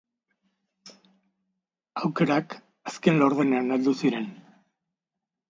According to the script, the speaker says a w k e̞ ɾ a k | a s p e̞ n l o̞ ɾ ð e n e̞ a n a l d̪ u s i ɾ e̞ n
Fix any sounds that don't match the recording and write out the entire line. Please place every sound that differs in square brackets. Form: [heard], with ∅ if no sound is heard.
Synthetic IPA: a w k e̞ ɾ a k | a s [k] e̞ n l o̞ ɾ ð e n e̞ a n a l d̪ u s i ɾ e̞ n